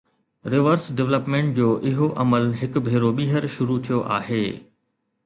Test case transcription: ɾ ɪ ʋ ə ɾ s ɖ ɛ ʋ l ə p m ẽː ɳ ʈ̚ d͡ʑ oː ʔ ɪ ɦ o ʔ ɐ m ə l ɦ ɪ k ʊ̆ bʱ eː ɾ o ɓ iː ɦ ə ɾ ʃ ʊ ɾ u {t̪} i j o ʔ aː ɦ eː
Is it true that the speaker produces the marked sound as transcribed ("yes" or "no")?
no